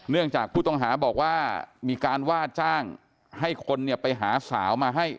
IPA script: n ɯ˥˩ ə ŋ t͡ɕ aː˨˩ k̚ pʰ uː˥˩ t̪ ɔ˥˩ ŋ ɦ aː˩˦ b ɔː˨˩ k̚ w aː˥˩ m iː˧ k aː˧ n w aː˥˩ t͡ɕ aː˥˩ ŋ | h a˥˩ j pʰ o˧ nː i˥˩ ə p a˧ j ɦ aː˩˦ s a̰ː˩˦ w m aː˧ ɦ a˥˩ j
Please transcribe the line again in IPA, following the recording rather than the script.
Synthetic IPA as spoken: n ɯ˥˩ ə ŋ t͡ɕ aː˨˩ k̚ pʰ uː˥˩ t̪ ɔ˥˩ ŋ ɦ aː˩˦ b ɔː˨˩ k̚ w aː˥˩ m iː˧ k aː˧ n w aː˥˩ t͡ɕ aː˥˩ ŋ | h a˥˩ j kʰ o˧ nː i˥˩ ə p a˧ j ɦ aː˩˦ s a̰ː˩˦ w m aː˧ ɦ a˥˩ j

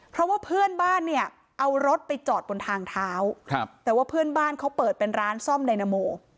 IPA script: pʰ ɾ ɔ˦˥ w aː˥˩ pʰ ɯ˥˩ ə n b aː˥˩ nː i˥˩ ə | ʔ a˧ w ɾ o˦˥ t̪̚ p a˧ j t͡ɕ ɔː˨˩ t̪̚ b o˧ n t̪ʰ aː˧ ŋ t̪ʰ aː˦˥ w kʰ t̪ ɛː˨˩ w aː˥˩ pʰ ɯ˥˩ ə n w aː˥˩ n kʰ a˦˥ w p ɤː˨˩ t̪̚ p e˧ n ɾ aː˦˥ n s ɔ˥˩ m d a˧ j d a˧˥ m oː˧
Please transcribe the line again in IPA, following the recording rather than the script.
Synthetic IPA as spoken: pʰ ɾ ɔ˦˥ w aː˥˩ pʰ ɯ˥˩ ə n b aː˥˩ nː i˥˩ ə | ʔ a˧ w ɾ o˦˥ t̪̚ p a˧ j t͡ɕ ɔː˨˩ t̪̚ b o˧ n t̪ʰ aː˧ ŋ t̪ʰ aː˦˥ w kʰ t̪ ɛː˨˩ w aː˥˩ pʰ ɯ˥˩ ə n b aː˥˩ n kʰ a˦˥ w p ɤː˨˩ t̪̚ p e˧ n ɾ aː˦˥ n s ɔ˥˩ m d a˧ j n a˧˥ m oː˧

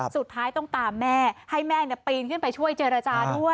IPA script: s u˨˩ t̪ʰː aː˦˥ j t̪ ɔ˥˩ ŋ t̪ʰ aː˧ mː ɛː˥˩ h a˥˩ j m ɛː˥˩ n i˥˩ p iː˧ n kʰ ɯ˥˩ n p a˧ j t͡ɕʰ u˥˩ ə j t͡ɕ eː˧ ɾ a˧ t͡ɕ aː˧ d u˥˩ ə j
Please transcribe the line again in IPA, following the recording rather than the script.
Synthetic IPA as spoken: s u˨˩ t̪ʰː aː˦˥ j t̪ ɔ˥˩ ŋ t̪ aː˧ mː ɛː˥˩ h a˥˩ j m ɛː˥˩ n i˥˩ p iː˧ n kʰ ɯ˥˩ n p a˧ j t͡ɕʰ u˥˩ ə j t͡ɕ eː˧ ɾ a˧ t͡ɕ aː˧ d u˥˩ ə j

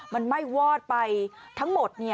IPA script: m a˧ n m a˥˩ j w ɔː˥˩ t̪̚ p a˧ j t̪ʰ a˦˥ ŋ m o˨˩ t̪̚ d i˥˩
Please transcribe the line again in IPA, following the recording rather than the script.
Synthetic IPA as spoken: m a˧ n m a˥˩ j w ɔː˥˩ t̪̚ p a˧ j t̪ʰ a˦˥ ŋ m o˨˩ t̪̚ n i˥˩

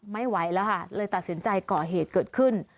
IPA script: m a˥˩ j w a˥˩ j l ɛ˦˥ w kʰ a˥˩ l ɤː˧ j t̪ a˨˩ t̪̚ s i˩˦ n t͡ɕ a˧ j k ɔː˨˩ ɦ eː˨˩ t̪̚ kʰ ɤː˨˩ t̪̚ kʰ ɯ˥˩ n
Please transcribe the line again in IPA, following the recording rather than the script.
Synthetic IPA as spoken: m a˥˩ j w a˨˦˥ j l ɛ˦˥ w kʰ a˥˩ l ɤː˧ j t̪ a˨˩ t̪̚ s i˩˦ n t͡ɕ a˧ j k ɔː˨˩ ɦ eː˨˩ t̪̚ k ɤː˨˩ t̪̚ kʰ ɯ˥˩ n

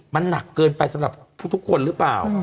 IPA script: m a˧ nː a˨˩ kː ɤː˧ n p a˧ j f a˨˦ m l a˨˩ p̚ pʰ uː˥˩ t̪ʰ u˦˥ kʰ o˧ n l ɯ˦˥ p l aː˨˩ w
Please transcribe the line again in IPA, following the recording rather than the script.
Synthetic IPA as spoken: m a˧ nː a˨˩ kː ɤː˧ n p a˧ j s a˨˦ m ɾ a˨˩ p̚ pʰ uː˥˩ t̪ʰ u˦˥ kʰ o˧ n ɾ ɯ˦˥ p l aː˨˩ w

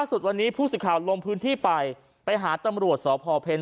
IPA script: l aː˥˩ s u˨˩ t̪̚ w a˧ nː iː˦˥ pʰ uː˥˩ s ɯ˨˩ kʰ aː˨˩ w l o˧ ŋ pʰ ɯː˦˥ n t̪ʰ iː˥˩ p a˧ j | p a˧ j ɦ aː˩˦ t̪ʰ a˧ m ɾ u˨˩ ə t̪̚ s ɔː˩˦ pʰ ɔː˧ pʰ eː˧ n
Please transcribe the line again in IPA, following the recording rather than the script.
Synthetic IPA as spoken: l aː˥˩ s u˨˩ t̪̚ w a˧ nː iː˦˥ pʰ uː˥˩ s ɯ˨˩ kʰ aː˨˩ w l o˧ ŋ pʰ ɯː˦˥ n t̪ʰ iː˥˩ p a˧ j | p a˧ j ɦ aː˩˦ t̪ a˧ m ɾ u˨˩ ə t̪̚ s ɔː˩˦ pʰ ɔː˧ pʰ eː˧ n

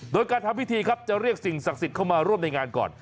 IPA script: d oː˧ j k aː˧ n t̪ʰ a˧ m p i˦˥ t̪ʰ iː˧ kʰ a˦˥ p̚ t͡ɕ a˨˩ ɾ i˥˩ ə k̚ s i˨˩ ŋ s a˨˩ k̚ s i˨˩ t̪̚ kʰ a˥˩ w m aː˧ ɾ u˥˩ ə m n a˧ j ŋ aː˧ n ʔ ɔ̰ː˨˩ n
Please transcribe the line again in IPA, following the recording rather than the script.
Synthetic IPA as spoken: d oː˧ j k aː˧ n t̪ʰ a˧ m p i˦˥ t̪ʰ iː˧ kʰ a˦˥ p̚ t͡ɕ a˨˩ ɾ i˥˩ ə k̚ s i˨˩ ŋ s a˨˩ k̚ s i˨˩ t̪̚ kʰ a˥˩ w m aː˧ ɾ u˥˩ ə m n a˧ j ŋ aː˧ n k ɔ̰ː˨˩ n

